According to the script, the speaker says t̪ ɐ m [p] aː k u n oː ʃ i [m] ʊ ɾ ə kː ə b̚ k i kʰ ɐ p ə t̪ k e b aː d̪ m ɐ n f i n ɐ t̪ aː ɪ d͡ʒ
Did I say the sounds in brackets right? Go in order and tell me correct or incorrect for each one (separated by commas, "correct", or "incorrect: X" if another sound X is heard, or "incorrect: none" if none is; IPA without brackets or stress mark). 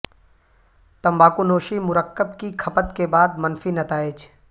incorrect: b, correct